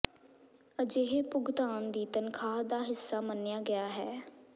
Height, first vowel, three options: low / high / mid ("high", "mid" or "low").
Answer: mid